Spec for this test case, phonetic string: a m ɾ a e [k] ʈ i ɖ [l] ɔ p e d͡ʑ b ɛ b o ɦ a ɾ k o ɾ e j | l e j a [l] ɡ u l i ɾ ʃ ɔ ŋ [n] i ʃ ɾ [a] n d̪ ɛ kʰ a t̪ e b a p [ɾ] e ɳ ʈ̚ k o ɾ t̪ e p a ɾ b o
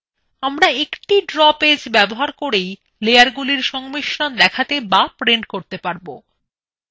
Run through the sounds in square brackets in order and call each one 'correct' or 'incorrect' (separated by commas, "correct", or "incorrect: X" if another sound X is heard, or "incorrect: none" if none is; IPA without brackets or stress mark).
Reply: correct, incorrect: ɾ, incorrect: ɾ, incorrect: m, correct, correct